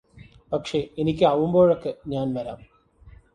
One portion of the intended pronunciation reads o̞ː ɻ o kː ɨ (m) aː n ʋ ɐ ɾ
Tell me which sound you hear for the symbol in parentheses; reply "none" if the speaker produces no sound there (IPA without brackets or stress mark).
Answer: ɲ